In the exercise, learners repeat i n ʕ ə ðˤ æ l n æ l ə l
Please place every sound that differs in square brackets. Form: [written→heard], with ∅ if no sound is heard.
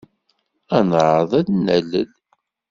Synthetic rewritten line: [i→æ] n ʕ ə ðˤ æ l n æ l ə l